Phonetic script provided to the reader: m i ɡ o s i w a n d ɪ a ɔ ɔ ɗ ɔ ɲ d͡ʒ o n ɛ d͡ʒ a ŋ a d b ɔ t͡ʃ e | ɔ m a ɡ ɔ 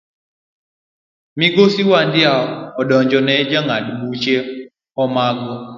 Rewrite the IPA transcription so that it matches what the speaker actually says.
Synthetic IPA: m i ɡ o s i w a n d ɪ a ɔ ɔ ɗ ɔ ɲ d͡ʒ ɔ n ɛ d͡ʒ a ŋ a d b u t͡ʃ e | ɔ m a ɡ ɔ